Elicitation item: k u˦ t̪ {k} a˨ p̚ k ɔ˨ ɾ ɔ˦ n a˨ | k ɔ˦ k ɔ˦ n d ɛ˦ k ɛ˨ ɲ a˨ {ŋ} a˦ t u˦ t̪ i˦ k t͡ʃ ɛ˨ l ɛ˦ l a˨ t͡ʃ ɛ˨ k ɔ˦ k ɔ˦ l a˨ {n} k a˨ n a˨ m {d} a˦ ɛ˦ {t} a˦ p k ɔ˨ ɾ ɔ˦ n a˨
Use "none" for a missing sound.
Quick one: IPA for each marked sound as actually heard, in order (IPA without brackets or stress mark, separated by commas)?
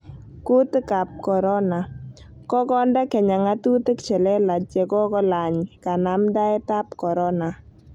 k, ŋ, ɲ, d, t